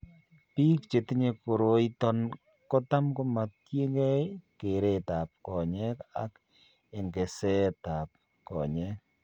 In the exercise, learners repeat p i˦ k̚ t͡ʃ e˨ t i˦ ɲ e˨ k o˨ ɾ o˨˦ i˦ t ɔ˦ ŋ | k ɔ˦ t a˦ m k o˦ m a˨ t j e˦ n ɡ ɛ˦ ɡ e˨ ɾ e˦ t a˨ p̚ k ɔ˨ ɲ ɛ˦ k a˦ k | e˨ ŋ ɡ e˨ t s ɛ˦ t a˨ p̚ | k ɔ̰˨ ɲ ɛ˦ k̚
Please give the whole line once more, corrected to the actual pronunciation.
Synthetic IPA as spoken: p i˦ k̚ t͡ʃ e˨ t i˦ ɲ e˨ k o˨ ɾ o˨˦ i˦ t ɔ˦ n | k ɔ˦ t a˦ m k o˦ m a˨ t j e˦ ŋ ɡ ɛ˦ k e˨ ɾ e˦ t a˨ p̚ k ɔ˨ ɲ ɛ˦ k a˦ k | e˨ ŋ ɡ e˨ s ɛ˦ t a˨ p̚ | k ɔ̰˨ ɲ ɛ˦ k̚